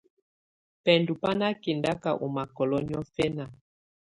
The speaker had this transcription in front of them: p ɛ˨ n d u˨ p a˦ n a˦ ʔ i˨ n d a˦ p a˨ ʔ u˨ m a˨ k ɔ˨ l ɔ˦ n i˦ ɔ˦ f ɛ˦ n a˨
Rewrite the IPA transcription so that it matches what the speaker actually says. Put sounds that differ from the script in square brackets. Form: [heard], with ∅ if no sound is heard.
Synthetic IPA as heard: p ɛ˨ n d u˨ p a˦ n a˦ [k] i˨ n d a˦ [k] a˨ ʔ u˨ m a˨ k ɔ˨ l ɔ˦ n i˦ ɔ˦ f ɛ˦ n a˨